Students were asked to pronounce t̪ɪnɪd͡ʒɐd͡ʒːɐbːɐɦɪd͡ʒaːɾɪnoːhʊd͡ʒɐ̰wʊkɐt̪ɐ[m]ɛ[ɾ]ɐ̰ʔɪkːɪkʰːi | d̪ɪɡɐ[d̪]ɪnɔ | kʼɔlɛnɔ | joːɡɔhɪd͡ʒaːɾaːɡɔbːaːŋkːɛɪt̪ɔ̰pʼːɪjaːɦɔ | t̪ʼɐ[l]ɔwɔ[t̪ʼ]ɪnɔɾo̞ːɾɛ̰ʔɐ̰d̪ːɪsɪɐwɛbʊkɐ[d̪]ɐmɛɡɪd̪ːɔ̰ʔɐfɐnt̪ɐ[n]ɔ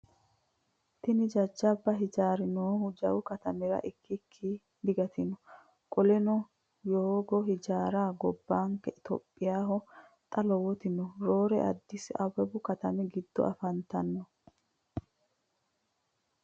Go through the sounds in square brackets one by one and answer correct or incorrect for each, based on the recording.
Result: correct, correct, incorrect: t̪, correct, incorrect: t̪, incorrect: t̪, incorrect: nː

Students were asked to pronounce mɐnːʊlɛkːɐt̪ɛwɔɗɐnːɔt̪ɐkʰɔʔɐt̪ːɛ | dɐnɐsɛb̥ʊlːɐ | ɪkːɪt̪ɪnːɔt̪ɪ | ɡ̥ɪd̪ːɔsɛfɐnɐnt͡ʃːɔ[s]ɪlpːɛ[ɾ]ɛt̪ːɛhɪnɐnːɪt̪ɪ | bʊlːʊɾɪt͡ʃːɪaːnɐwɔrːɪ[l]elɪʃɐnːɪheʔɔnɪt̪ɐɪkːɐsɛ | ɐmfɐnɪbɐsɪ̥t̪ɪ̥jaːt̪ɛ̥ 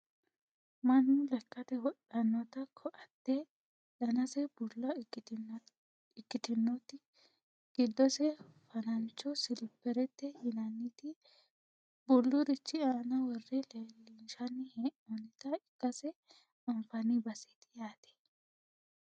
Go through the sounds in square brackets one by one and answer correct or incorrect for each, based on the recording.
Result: correct, correct, correct

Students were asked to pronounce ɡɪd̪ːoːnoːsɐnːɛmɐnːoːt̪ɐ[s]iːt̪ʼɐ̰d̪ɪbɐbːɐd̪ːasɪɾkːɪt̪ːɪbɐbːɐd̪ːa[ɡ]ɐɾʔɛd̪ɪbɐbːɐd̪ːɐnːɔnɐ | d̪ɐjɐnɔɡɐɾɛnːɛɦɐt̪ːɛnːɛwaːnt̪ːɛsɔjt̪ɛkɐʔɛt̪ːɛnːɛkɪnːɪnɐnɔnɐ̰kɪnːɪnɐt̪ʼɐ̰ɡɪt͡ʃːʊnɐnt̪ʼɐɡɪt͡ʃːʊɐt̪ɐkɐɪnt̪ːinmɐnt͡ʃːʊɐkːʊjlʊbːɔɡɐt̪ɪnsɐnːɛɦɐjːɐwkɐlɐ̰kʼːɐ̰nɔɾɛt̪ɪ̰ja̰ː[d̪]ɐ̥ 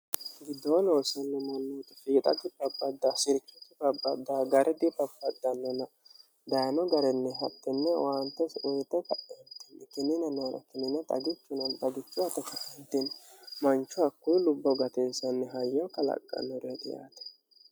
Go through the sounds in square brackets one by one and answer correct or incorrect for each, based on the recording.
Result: incorrect: f, correct, incorrect: t̪

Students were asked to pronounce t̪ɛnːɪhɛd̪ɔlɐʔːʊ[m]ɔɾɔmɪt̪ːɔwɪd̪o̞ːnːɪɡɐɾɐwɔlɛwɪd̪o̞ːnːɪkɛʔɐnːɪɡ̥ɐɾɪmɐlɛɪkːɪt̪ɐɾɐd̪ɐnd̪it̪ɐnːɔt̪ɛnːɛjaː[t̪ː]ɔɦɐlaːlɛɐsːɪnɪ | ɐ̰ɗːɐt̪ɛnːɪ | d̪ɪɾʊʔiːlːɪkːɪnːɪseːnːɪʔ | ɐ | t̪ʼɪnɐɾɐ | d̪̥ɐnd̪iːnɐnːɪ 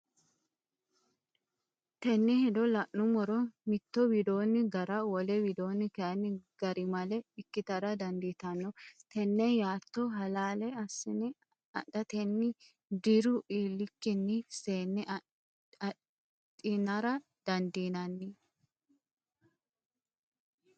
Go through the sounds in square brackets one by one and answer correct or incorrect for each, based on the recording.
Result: correct, correct

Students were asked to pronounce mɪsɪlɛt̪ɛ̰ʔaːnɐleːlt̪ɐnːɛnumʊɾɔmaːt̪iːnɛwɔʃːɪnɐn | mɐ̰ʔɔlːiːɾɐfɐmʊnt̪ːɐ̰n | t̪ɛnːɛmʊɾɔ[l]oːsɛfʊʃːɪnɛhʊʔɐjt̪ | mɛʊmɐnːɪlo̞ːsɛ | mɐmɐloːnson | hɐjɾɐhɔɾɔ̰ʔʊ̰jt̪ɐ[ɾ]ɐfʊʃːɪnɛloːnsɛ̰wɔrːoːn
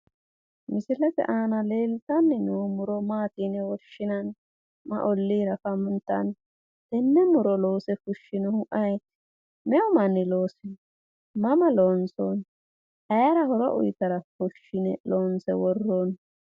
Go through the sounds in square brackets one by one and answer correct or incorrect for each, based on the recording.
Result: correct, correct

